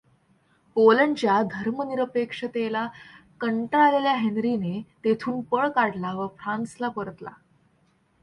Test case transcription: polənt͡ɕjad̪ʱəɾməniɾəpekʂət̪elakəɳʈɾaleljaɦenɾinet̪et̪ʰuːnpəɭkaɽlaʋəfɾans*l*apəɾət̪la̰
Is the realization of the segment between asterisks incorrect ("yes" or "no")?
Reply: no